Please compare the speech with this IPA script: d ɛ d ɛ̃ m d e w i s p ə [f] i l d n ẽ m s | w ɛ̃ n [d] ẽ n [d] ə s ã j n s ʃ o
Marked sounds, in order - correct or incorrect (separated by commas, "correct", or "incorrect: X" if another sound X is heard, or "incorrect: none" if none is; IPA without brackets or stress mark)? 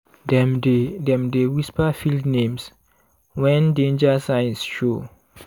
correct, correct, incorrect: d͡ʒ